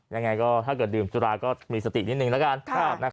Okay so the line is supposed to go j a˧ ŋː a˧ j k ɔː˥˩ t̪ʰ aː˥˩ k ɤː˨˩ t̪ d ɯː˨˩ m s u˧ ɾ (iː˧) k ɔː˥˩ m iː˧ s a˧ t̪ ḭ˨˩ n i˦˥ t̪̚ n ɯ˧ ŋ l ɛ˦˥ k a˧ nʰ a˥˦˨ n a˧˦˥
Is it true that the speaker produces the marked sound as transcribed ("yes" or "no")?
no